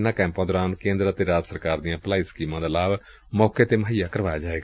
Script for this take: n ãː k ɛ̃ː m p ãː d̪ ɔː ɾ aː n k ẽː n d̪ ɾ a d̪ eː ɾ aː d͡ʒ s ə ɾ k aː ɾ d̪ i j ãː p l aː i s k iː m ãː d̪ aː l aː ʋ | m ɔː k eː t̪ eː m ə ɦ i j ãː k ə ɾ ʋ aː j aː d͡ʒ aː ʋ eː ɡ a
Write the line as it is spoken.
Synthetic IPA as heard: n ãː k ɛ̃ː m p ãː d̪ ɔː ɾ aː n k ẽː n d̪ ɾ a t̪ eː ɾ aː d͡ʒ s ə ɾ k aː ɾ d̪ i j ãː p l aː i s k iː m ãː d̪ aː l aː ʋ | m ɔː k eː t̪ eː m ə ɦ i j aː k ə ɾ ʋ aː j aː d͡ʒ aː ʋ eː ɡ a